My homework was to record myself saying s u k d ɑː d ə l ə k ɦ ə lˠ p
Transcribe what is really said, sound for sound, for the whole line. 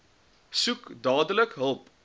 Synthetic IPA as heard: s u k d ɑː d ə l ə k ɦ ə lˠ p